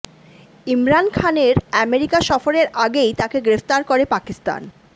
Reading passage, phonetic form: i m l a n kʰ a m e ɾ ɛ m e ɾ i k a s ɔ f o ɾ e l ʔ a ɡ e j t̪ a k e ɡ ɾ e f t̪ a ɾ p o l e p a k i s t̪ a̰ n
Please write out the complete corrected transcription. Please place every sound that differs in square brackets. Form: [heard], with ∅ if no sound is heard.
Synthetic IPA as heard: i m [ɾ] a n kʰ a [n] e ɾ ɛ m e ɾ i k a [ʃ] ɔ f o ɾ e [ɾ] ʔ a ɡ e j t̪ a k e ɡ ɾ e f t̪ a ɾ [k] o [ɾ] e p a k i s t̪ a̰ n